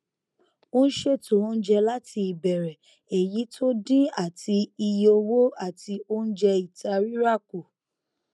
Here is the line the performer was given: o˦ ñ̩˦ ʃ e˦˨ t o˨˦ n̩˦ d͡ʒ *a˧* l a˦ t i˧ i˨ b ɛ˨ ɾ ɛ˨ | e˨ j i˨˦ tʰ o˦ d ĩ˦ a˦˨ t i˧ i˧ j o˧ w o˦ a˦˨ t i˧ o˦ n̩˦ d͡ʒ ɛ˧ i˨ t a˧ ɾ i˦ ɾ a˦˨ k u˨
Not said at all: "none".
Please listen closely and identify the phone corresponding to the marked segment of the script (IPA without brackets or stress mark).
ɛ˧